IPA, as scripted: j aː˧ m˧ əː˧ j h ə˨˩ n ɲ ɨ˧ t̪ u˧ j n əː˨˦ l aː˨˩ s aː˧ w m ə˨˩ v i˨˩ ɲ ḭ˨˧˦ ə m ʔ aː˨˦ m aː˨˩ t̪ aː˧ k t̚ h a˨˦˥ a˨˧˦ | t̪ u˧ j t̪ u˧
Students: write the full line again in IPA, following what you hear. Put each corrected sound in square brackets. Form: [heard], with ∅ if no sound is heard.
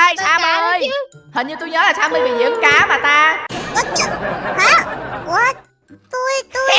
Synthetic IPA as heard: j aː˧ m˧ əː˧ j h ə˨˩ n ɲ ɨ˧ t̪ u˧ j [ɲ] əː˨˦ l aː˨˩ s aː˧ w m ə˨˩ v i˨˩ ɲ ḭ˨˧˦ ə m [k] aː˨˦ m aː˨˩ t̪ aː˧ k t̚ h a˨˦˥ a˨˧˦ | t̪ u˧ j t̪ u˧